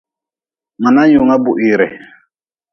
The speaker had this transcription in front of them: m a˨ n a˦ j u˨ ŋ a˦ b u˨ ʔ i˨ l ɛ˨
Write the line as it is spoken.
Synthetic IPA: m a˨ n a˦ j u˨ ŋ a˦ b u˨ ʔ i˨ ɾ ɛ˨